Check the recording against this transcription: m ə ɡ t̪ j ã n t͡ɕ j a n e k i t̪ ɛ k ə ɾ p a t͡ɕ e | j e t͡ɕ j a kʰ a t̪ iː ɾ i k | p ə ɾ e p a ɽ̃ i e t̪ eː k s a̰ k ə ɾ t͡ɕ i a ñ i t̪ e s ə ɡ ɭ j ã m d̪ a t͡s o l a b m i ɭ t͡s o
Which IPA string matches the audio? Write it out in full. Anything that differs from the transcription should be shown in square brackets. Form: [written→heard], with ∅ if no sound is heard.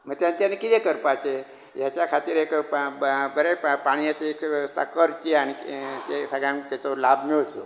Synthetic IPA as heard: m ə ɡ t̪ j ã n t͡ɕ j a n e k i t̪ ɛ k ə ɾ p a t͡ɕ e | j [e→a] t͡ɕ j a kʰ a t̪ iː ɾ [i→e] k | [p→b] ə ɾ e p a ɽ̃ i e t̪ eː k s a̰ k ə ɾ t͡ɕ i a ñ i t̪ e s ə ɡ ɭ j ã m [d̪→t̪] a t͡s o l a b m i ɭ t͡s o